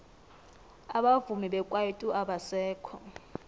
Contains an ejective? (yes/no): yes